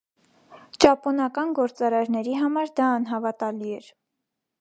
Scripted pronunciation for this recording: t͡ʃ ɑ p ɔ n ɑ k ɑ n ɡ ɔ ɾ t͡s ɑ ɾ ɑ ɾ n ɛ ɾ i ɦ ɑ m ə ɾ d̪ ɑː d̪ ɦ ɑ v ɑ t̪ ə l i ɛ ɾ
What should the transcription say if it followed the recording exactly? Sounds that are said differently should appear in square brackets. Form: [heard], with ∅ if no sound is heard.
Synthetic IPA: t͡ʃ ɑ p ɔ n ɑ k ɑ n ɡ ɔ ɾ t͡s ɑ ɾ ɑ ɾ n ɛ ɾ i ɦ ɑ m [ɑ] ɾ d̪ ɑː [n̪] ɦ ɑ v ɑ t̪ [ɑ] l i ɛ ɾ